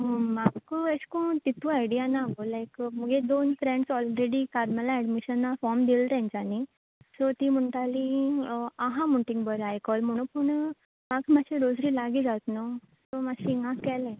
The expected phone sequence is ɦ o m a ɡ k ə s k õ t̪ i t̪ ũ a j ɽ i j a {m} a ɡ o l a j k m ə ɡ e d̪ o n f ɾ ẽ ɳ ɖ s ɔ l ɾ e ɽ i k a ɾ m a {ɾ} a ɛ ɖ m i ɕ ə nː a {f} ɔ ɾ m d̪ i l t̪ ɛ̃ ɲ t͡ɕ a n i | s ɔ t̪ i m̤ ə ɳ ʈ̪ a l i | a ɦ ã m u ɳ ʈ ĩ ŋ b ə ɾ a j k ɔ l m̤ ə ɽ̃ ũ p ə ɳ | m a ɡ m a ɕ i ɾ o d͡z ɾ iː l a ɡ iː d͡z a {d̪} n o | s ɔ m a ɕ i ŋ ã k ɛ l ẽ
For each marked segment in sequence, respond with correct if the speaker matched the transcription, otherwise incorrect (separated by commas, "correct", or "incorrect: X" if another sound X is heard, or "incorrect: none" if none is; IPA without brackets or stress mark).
incorrect: n, incorrect: l, correct, incorrect: t̪